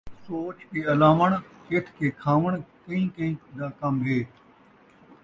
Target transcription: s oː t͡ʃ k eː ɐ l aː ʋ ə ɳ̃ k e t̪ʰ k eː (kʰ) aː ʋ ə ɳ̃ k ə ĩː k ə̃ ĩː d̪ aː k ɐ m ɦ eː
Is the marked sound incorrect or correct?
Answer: correct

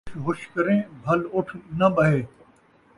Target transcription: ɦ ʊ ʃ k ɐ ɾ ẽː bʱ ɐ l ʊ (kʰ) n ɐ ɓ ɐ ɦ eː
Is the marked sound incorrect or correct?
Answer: incorrect: ʈʰ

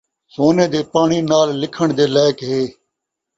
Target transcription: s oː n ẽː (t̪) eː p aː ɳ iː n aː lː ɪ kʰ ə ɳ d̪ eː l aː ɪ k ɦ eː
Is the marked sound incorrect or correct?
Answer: incorrect: d̪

